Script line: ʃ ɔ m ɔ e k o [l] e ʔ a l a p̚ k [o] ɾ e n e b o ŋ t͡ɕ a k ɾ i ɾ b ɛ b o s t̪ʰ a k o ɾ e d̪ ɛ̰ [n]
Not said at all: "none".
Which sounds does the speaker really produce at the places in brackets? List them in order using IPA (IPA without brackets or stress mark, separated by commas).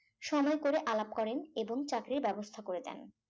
ɾ, ɔ, n